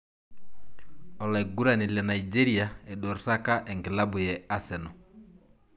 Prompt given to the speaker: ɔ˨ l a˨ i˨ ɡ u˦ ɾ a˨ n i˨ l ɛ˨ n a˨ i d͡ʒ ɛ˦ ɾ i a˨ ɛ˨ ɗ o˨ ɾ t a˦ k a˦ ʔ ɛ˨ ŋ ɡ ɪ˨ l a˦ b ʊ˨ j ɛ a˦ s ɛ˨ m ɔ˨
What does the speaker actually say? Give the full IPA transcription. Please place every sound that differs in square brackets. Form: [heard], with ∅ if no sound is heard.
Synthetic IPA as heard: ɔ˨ l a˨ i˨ ɡ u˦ ɾ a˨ n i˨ l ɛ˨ n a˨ i d͡ʒ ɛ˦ ɾ i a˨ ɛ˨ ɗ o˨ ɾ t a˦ k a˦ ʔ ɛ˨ ŋ ɡ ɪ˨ l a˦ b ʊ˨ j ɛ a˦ s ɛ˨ [n] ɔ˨

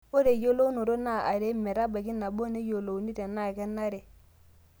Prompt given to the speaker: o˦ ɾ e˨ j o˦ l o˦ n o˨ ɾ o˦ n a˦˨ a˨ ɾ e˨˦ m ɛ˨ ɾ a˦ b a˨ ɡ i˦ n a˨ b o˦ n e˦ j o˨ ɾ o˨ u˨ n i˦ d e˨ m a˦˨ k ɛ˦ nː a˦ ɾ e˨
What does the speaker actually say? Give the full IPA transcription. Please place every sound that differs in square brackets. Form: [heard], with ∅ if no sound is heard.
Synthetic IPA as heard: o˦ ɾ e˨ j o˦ l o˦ n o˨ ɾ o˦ n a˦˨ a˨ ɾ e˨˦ m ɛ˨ ɾ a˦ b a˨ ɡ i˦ n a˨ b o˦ n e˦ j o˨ [l] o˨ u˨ n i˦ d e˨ [n] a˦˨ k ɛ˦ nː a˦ ɾ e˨

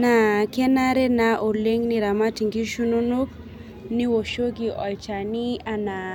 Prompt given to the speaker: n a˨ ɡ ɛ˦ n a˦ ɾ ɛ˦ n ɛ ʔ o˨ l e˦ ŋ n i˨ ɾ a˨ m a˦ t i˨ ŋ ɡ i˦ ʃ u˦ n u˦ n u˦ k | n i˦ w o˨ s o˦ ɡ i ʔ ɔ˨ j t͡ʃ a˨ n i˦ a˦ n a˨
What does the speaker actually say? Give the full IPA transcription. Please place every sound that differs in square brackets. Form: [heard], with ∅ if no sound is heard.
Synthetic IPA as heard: n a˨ [k] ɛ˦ n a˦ ɾ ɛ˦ n [a] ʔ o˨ l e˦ ŋ n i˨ ɾ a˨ m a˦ t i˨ ŋ ɡ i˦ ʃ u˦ n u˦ n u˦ k | n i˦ w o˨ [ʃ] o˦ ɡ i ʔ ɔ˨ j t͡ʃ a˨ n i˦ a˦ n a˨

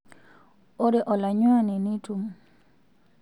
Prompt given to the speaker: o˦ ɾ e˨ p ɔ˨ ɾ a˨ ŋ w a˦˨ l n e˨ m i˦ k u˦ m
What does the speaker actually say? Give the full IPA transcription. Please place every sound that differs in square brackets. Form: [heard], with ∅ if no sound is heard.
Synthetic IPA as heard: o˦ ɾ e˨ [ʔ] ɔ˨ [l] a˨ [ɲ] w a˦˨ [∅] n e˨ [n] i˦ [t] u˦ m

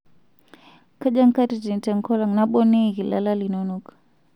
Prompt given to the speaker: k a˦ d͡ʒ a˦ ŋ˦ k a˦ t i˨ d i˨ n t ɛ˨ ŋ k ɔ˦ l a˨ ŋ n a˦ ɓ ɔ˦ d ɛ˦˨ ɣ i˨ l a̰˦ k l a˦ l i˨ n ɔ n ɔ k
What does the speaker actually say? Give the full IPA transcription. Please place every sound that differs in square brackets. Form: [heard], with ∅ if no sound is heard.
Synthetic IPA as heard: k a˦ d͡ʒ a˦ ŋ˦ k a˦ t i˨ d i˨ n t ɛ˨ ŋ k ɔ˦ l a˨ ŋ n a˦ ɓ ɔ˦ [n] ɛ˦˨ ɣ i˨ l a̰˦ [∅] l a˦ l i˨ n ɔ n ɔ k

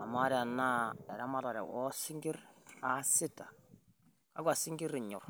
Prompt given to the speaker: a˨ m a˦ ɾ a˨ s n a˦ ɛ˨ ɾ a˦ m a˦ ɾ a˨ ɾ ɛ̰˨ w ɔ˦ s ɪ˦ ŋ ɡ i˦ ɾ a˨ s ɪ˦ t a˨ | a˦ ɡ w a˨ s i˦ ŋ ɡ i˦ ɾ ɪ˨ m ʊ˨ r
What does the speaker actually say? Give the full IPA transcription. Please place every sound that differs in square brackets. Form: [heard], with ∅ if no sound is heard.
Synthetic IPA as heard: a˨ m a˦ ɾ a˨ [∅] n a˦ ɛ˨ ɾ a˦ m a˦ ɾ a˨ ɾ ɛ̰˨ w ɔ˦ s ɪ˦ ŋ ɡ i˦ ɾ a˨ s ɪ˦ t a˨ | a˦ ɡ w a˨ s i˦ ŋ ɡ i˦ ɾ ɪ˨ [ɲ] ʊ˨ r

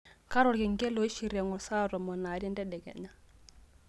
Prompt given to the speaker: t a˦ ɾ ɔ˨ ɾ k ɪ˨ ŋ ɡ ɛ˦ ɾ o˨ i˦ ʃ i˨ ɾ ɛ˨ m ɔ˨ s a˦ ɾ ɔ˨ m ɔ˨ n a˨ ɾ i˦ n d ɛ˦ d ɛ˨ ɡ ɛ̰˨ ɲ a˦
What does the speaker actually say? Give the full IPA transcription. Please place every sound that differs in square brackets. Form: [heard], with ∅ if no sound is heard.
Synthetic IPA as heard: [k] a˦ ɾ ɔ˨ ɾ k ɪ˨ ŋ ɡ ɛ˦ [l] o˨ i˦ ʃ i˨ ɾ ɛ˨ [ŋ] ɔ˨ s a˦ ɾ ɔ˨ m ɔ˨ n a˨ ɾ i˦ n d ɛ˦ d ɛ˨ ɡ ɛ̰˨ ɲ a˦

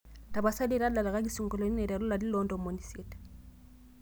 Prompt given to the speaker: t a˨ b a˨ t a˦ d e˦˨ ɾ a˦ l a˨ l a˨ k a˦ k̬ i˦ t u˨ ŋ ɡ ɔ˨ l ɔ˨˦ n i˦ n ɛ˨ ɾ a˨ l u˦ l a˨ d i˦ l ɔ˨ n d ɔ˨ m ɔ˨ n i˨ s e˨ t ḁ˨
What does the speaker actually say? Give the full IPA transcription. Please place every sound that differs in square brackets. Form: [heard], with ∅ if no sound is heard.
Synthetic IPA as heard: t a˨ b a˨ [s] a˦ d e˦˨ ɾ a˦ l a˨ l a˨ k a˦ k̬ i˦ [s] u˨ ŋ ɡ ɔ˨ l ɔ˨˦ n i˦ n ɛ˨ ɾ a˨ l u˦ l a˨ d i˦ l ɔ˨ n d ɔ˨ m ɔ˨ n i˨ s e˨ t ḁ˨

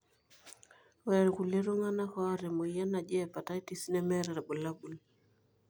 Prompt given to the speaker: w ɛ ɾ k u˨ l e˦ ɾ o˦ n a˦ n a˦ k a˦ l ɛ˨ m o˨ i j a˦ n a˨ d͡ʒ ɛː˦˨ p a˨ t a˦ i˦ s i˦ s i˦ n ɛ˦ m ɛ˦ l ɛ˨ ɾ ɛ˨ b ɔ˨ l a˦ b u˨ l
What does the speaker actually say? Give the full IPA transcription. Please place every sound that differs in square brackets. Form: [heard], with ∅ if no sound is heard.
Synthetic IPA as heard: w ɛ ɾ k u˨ l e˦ ɾ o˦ [ŋ] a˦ n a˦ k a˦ [ɾ] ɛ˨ m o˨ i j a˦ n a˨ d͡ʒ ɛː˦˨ p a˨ t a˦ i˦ [t] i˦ s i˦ n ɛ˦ m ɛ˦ [ɾ] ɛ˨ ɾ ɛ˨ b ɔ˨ l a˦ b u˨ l

